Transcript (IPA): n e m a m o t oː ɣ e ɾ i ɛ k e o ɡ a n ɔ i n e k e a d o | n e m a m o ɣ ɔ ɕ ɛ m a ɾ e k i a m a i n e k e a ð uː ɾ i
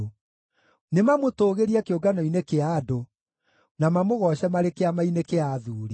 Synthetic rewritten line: n e m a m o t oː ɣ e ɾ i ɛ k e o ɡ a n ɔ i n e k e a d o | n a m a m o ɣ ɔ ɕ ɛ m a ɾ e k e a m a i n e k e a ð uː ɾ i